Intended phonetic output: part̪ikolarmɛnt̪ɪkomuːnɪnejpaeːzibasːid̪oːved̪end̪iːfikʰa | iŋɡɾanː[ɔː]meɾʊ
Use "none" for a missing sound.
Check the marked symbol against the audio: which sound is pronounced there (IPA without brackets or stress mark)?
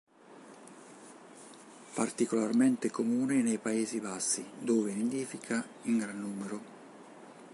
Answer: uː